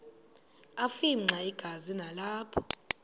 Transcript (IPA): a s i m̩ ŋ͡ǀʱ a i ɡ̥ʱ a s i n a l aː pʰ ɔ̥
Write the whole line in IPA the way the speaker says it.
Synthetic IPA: a f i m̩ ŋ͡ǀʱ a i ɡ̥ʱ a z i n a l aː pʰ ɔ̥